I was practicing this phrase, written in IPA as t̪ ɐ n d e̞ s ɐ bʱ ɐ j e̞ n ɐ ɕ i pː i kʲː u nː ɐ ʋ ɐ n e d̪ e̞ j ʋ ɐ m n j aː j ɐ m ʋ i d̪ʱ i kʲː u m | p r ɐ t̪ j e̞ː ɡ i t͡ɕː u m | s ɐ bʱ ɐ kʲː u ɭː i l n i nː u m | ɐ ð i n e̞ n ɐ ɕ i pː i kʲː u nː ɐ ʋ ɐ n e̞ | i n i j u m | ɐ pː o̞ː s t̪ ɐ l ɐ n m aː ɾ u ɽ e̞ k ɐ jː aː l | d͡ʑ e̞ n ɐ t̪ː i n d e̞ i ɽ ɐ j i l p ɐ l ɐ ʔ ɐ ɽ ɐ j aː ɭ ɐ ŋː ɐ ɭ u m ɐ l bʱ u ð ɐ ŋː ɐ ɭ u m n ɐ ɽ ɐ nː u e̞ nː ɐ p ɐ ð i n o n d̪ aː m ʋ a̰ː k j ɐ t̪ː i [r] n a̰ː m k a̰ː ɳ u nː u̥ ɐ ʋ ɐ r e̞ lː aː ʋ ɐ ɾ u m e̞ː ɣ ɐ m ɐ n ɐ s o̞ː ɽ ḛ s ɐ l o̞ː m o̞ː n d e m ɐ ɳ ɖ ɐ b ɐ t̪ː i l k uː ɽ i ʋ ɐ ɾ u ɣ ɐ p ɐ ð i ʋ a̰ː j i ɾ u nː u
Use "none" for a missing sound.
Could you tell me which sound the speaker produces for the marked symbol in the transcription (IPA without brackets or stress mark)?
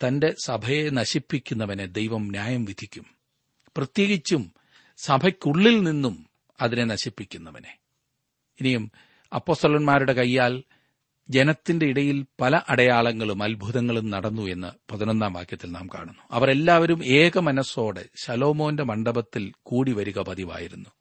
l